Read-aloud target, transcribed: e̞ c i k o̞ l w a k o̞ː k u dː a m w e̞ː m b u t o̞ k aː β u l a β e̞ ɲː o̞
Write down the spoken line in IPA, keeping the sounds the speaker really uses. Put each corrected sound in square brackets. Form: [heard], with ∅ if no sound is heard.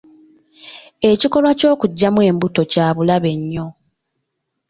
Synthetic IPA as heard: e̞ c i k o̞ l w a [c] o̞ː k u [ɟː] a m w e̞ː m b u t o̞ [c] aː β u l a β e̞ ɲː o̞